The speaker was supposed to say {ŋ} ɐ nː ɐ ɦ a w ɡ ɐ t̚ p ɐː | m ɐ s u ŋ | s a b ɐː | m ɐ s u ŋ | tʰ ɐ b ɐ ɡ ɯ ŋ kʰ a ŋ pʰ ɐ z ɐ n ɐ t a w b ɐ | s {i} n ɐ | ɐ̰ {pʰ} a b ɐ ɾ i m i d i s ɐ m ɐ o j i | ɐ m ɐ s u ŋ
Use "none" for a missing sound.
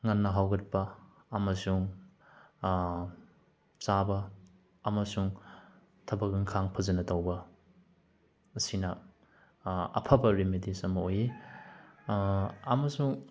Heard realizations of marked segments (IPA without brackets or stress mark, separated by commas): ŋ, i, pʰ